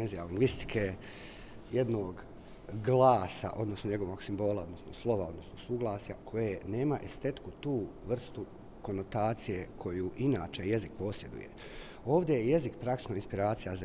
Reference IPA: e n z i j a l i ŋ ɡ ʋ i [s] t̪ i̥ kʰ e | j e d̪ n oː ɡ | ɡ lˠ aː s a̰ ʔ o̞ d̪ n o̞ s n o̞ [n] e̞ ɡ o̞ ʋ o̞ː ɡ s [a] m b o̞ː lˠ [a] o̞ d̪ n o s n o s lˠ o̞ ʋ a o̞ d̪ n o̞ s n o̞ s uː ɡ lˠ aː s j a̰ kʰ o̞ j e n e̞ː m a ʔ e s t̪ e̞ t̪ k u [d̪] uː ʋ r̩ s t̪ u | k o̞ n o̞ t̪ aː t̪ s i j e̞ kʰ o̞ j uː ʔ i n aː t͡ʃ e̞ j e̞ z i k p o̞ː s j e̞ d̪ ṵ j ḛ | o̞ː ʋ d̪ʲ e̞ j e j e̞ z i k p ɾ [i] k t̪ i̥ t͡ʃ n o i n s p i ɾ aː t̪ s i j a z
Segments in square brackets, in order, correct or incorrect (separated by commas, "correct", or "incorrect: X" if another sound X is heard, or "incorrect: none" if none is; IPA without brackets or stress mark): correct, incorrect: ɲ, incorrect: i, correct, incorrect: t̪, incorrect: a